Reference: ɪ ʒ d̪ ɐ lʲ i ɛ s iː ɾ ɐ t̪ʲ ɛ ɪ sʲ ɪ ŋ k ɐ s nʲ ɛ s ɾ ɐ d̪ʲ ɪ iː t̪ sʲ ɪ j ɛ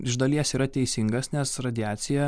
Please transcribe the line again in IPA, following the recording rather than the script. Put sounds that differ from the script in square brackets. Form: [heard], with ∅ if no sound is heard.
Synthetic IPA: ɪ ʒ d̪ ɐ lʲ i ɛ s iː ɾ ɐ t̪ʲ ɛ ɪ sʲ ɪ ŋ [ɡ] ɐ s nʲ ɛ s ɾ ɐ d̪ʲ ɪ [æː] t̪ sʲ ɪ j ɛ

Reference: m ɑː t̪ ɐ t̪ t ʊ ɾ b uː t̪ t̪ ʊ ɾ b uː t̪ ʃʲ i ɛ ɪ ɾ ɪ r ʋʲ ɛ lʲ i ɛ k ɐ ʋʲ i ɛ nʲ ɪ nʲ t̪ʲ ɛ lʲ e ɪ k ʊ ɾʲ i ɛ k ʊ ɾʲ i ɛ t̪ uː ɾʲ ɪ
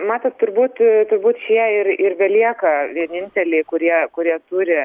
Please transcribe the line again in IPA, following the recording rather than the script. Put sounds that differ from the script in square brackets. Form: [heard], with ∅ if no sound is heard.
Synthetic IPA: m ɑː t̪ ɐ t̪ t ʊ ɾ b uː t̪ t̪ ʊ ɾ b uː t̪ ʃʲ i ɛ ɪ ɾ ɪ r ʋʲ ɛ lʲ i ɛ k ɐ ʋʲ i ɛ nʲ ɪ nʲ t̪ʲ ɛ lʲ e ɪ k ʊ ɾʲ i ɛ k ʊ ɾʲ i ɛ t̪ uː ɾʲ ɪ

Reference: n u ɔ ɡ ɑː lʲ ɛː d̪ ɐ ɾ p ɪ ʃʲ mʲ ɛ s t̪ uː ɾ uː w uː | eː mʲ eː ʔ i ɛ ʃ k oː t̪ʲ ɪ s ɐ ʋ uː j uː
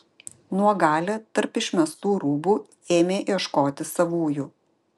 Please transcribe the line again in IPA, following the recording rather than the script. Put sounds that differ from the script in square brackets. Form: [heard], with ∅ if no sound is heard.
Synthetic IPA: n u ɔ ɡ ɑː lʲ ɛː [t̪] ɐ ɾ p ɪ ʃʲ mʲ ɛ s t̪ uː ɾ uː [b] uː | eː mʲ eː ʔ i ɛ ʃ k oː t̪ʲ ɪ s ɐ ʋ uː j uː

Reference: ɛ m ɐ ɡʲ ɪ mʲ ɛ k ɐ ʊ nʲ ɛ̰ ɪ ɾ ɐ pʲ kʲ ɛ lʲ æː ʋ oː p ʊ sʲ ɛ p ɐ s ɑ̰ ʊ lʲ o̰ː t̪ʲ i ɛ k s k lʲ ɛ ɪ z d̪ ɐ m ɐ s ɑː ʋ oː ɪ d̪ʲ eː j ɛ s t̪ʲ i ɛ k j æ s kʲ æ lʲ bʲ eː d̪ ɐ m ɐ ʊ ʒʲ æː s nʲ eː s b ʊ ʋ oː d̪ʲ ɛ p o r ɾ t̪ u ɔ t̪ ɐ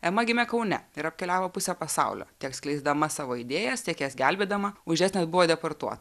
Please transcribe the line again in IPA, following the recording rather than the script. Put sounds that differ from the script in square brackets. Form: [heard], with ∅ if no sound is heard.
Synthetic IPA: ɛ m ɐ ɡʲ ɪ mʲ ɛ k ɐ ʊ nʲ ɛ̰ ɪ ɾ ɐ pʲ kʲ ɛ lʲ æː ʋ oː p ʊ sʲ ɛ p ɐ s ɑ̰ ʊ lʲ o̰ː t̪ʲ i ɛ k s k lʲ ɛ ɪ z d̪ ɐ m ɐ s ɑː ʋ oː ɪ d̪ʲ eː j ɛ s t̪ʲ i ɛ k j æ s [ɡʲ] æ lʲ bʲ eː d̪ ɐ m ɐ ʊ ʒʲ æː s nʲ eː s b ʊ ʋ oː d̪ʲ ɛ p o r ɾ t̪ u ɔ t̪ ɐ

